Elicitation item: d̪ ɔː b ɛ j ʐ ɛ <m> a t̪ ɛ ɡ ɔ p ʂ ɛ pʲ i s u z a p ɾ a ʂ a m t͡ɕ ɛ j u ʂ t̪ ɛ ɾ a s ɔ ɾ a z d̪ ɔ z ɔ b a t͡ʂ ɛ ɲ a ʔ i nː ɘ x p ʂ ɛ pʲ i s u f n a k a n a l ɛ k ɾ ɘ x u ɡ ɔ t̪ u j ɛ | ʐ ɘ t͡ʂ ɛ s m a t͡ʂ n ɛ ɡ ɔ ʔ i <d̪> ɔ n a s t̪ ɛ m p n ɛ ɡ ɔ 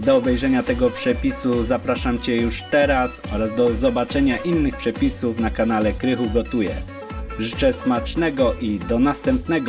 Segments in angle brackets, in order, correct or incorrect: incorrect: ɲ, correct

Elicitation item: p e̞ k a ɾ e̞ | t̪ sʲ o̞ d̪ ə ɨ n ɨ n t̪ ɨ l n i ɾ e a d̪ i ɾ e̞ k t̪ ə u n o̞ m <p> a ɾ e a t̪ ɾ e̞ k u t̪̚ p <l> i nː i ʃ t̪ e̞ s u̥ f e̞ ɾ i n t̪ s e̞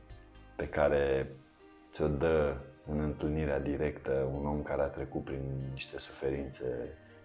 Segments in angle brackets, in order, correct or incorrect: incorrect: k, incorrect: ɾ

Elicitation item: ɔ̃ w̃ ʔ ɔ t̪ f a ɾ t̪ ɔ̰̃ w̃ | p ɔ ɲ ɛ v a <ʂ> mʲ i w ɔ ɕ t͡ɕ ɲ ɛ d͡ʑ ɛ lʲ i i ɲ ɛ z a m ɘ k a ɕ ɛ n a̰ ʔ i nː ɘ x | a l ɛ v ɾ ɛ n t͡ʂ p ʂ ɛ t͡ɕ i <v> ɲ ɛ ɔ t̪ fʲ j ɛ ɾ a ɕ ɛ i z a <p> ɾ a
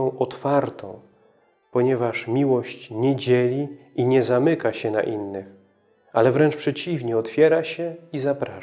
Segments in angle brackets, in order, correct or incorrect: correct, correct, correct

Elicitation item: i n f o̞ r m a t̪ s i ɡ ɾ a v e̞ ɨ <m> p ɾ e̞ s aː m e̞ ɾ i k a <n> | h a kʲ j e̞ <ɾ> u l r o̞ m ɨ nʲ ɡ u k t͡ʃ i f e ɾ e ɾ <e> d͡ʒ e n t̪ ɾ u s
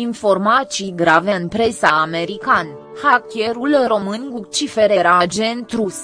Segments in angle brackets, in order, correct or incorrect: incorrect: n, correct, correct, incorrect: a

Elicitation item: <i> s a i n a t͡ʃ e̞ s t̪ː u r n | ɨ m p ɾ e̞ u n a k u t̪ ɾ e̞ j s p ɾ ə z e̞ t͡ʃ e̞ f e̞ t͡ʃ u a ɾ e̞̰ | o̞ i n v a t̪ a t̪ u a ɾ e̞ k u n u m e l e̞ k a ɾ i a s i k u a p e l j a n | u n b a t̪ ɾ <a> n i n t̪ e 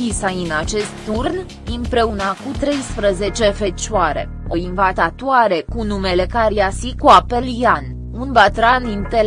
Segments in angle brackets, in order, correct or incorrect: correct, correct

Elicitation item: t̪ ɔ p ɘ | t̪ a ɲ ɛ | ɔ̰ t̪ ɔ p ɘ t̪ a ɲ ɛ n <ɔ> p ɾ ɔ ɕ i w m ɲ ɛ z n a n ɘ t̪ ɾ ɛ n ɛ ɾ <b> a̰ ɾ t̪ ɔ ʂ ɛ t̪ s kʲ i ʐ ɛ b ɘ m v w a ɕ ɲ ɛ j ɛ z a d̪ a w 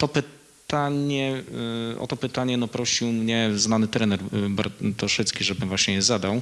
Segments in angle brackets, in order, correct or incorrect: correct, correct

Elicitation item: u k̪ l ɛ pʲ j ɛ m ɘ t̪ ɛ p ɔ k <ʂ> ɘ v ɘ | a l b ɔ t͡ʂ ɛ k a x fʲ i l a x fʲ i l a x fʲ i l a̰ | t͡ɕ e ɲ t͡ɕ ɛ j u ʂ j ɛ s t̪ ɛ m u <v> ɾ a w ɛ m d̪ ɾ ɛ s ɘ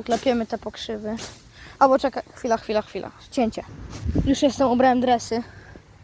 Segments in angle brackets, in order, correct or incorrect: correct, incorrect: b

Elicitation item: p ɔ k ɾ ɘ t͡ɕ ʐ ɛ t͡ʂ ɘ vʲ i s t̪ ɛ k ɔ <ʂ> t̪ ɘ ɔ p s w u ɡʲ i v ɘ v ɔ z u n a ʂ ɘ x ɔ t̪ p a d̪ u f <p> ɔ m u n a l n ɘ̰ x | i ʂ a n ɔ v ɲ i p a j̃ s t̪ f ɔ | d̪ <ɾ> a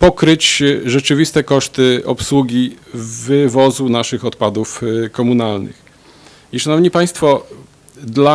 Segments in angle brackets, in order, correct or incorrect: correct, incorrect: k, incorrect: l

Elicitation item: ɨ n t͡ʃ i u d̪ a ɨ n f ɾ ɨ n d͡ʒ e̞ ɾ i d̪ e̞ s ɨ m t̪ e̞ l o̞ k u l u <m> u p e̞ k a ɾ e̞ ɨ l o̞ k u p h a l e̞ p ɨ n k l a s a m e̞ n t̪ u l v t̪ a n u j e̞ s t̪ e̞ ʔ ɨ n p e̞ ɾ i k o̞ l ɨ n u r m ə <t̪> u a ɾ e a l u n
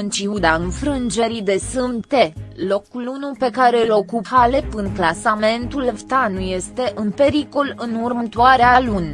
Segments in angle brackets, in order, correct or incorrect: incorrect: n, correct

